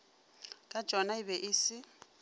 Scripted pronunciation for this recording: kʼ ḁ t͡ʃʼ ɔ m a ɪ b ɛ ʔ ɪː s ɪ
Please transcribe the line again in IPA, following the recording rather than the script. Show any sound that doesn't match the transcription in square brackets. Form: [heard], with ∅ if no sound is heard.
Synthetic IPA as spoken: kʼ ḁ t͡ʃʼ ɔ [n] a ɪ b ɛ ʔ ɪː s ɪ